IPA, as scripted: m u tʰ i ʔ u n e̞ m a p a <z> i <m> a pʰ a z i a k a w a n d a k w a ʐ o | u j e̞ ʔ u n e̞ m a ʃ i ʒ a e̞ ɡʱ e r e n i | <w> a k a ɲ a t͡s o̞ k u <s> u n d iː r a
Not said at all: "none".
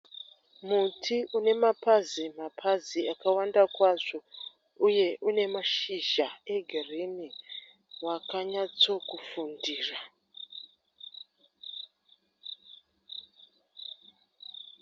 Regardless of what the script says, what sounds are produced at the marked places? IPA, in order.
z, m, w, f

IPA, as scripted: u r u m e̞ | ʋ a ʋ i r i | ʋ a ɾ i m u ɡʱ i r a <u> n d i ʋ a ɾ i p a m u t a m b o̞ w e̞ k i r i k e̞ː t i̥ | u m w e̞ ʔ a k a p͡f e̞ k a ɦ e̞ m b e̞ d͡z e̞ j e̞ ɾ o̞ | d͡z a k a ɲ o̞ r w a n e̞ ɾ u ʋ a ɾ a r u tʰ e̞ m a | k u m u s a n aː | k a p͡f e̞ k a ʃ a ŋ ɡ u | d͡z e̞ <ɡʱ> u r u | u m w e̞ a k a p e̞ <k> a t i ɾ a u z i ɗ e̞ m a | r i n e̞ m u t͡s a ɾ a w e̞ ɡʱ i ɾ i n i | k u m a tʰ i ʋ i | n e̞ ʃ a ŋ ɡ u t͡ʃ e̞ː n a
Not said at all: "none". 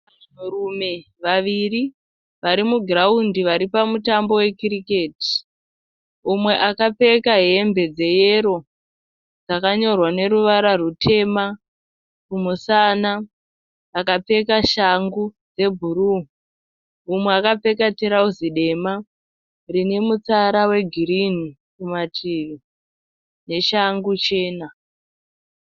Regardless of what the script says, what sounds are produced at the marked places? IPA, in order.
u, bʱ, k

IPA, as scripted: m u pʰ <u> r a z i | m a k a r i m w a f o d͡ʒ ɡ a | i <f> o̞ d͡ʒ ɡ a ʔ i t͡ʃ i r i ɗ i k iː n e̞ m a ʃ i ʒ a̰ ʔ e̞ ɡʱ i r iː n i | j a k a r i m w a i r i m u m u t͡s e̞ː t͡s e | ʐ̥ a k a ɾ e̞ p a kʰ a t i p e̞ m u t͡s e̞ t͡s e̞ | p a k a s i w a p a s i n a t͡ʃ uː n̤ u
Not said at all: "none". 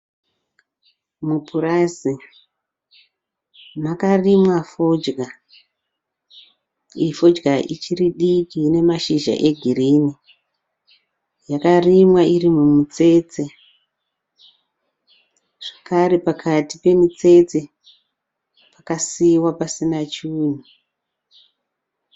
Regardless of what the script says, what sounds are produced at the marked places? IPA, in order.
u, f

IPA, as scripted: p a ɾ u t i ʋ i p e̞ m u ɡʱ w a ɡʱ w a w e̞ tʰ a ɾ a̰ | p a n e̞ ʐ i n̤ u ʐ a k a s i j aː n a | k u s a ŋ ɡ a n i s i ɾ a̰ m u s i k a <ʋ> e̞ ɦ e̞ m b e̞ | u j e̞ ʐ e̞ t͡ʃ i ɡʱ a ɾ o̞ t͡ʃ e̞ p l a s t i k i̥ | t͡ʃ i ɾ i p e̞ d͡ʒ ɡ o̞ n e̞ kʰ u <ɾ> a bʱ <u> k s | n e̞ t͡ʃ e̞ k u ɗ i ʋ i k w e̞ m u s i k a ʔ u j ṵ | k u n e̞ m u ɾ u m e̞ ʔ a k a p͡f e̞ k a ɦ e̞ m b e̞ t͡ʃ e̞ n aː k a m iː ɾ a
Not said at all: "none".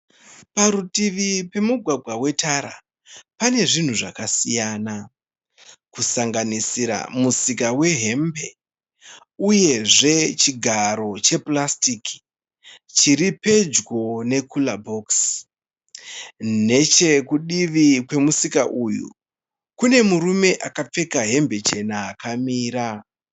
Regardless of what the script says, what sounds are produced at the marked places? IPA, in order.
w, l, o

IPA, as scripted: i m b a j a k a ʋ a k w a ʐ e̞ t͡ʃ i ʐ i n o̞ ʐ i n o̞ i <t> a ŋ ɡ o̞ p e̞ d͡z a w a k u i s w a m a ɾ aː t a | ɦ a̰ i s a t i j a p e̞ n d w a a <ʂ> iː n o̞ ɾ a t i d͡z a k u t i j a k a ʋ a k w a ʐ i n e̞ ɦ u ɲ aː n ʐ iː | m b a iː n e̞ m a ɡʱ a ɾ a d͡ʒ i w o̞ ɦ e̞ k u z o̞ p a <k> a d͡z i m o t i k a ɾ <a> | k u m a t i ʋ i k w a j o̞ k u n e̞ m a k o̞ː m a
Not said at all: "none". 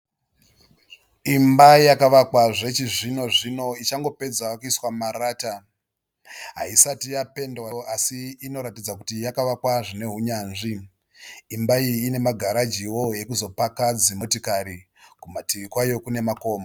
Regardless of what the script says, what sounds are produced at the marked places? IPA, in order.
t͡ʃ, s, k, i

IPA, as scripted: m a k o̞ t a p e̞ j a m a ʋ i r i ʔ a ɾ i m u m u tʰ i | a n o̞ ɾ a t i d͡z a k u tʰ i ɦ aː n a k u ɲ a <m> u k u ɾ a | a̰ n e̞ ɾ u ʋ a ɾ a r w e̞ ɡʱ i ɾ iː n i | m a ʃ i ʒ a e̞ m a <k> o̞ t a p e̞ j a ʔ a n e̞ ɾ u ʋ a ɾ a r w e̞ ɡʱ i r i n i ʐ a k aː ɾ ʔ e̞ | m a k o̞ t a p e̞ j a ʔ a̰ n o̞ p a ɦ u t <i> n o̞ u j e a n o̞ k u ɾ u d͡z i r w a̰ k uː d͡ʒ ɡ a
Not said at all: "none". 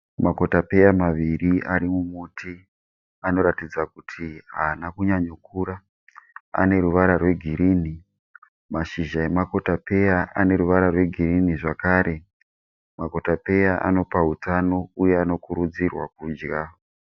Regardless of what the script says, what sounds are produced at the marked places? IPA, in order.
ɲ, k, a

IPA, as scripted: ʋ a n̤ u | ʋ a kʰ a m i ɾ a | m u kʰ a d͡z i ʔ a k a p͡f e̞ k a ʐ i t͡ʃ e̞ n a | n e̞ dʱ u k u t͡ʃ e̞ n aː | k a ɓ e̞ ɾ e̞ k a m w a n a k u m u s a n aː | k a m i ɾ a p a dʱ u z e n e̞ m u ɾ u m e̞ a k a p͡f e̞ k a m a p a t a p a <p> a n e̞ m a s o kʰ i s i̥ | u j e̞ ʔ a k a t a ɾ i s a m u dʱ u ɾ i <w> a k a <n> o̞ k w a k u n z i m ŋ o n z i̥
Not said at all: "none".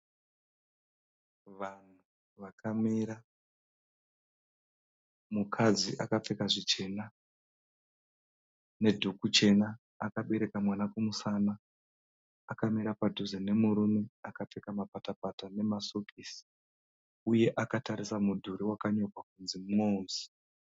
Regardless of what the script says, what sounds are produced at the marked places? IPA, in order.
t, w, ɲ

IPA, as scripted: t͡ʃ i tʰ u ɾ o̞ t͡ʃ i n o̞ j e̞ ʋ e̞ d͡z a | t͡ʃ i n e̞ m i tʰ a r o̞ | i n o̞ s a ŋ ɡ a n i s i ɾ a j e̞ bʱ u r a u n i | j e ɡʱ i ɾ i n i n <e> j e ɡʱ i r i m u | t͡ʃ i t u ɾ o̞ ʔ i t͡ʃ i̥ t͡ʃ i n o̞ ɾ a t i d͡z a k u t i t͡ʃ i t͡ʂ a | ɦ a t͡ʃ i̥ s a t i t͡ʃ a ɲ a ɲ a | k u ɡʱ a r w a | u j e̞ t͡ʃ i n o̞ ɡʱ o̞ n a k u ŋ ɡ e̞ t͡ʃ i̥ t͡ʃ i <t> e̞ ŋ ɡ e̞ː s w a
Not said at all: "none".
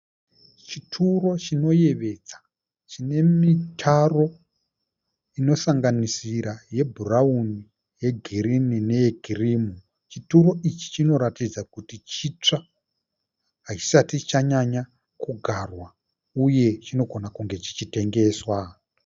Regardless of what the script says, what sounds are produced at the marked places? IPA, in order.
e, t

